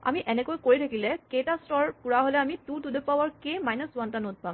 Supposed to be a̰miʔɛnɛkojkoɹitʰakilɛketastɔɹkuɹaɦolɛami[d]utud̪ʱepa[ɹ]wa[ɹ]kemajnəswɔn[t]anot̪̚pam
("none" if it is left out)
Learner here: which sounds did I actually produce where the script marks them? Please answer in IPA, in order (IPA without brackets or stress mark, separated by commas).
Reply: t, none, ɹ, t